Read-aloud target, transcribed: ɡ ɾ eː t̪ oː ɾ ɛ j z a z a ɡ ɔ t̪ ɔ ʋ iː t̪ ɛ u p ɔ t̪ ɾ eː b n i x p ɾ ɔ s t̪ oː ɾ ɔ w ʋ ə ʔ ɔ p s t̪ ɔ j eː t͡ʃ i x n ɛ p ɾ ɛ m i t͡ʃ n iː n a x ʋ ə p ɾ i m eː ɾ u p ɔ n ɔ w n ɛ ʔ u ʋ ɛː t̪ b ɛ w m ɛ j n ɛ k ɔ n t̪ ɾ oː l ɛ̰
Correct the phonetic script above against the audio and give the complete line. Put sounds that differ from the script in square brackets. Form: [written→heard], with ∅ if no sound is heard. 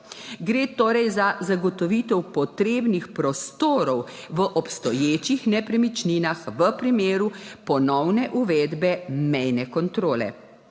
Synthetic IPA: ɡ ɾ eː t̪ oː ɾ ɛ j z a z a ɡ ɔ t̪ ɔ ʋ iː t̪ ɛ [u→w] p ɔ t̪ ɾ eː b n i x p ɾ ɔ s t̪ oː ɾ ɔ w ʋ ə ʔ ɔ p s t̪ ɔ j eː t͡ʃ i x n ɛ p ɾ ɛ m i t͡ʃ n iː n a x ʋ ə p ɾ i m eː ɾ u p ɔ n ɔ w n ɛ ʔ u ʋ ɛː [t̪→d̪] b ɛ [w→∅] m ɛ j n ɛ k ɔ n t̪ ɾ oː l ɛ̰